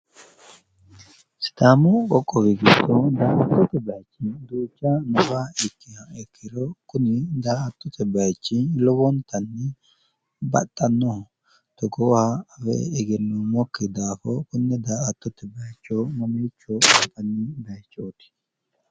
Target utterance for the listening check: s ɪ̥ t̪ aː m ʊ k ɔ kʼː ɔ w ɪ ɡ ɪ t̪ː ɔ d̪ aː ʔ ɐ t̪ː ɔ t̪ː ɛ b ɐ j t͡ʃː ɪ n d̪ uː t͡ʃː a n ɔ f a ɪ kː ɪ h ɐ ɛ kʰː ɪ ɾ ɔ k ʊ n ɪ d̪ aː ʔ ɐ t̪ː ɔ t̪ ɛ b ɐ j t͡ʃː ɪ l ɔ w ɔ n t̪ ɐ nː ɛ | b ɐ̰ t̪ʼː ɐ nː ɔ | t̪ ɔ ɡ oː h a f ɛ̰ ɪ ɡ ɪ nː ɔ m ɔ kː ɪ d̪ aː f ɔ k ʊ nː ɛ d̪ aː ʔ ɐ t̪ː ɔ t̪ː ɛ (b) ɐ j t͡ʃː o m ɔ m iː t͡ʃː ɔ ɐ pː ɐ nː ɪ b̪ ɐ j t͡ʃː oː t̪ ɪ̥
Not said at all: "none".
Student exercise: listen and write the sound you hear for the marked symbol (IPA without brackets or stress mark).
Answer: b